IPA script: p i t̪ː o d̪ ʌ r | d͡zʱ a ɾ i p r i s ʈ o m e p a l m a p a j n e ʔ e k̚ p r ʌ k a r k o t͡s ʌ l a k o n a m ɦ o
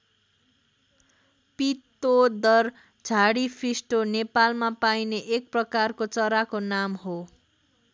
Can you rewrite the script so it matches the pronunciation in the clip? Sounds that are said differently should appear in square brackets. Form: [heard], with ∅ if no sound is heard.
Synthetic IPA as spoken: p i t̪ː o d̪ ʌ r | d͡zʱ a [ɽ] i [pʰ] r i s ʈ o [n] e p a l m a p a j n e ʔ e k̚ p r ʌ k a r k o t͡s ʌ [ɾ] a k o n a m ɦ o